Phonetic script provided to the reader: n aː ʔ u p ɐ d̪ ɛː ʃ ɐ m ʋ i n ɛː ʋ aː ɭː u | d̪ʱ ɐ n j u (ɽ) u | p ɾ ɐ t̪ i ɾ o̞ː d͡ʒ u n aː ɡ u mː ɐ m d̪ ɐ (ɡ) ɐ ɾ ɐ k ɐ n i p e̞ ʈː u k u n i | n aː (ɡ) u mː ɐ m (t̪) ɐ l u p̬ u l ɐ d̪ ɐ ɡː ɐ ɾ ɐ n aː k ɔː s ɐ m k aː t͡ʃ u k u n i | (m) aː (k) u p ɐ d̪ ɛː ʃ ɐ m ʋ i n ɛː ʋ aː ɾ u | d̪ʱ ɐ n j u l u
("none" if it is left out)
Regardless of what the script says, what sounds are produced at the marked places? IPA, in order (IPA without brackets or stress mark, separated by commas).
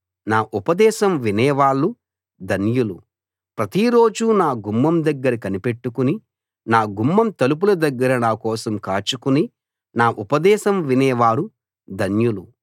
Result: l, ɡː, ɡ, t̪, n, ʔ